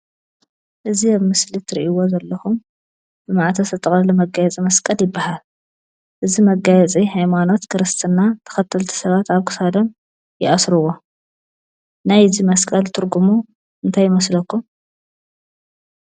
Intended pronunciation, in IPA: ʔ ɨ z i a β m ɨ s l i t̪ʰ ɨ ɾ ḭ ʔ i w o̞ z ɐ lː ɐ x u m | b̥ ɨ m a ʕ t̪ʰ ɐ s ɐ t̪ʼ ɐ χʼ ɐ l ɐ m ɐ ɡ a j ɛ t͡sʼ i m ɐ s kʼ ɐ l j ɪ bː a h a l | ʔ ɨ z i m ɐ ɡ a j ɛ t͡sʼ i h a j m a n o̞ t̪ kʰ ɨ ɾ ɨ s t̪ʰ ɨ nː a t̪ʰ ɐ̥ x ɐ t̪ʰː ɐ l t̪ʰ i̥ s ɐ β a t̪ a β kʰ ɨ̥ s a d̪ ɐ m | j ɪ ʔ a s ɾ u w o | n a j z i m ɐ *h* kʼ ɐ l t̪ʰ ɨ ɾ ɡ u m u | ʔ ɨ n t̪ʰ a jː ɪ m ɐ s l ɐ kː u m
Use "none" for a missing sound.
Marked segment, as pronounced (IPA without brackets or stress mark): s